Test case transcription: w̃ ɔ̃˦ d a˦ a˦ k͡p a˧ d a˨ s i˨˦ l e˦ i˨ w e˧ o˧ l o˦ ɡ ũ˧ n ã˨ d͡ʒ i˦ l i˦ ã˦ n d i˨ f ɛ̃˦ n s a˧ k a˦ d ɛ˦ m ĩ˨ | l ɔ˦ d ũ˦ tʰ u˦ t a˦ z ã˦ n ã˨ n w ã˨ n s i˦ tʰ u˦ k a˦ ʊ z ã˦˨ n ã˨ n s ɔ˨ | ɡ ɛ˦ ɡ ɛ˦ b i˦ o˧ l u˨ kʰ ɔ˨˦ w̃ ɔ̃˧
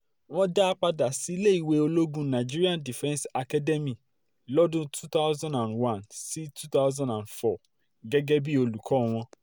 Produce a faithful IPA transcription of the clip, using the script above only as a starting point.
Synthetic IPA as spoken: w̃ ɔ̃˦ d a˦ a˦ k͡p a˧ d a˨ s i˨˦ l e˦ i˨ w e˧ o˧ l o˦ ɡ ũ˧ n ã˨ d͡ʒ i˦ ɾ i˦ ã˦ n d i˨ f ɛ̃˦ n s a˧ k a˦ d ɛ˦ m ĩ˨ | l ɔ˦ d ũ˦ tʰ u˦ t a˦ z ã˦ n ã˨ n w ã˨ n s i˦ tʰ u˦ t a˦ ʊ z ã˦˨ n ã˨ n f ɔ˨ | ɡ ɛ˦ ɡ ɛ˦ b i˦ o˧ l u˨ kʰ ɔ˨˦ w̃ ɔ̃˧